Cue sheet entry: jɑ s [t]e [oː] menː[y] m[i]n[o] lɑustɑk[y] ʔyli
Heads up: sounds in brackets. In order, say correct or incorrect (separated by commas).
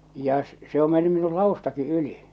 incorrect, incorrect, correct, correct, incorrect, incorrect